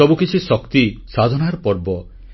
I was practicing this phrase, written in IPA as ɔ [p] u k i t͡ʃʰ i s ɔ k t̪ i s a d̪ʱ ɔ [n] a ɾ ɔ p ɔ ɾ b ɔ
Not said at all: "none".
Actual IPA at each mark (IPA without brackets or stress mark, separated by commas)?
b, n